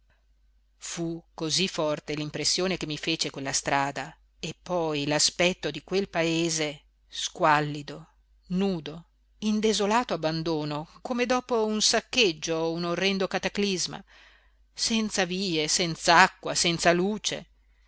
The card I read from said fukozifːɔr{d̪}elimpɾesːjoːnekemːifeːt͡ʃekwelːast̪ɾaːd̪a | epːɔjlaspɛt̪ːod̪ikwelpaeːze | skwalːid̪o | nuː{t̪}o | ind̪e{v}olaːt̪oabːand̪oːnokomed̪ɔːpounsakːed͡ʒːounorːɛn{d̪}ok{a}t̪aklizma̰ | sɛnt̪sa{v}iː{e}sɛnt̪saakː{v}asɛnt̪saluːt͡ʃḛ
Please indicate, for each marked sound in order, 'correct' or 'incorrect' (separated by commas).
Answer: incorrect, incorrect, incorrect, correct, correct, correct, correct, incorrect